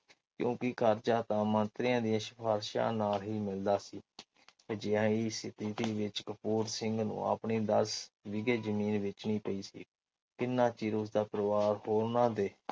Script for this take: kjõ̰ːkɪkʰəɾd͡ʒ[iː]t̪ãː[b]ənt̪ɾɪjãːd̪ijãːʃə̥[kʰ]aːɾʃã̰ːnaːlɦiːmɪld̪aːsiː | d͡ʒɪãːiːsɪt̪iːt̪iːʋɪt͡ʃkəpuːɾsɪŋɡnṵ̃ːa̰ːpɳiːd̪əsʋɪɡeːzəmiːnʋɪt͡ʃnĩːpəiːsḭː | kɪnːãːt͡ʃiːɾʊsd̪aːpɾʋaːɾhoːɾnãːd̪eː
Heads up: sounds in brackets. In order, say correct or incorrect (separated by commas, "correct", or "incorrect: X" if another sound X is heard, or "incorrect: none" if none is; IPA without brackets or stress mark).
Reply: incorrect: aː, incorrect: m, incorrect: pʰ